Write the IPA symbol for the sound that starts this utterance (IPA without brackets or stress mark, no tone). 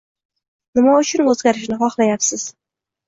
n